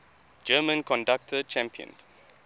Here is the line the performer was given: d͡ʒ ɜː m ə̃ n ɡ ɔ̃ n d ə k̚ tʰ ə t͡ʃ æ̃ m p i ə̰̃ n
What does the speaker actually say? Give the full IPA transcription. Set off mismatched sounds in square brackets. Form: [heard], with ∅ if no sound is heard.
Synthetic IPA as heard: d͡ʒ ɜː m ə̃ n [k] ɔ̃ n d [a] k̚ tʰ ə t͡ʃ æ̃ m p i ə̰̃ n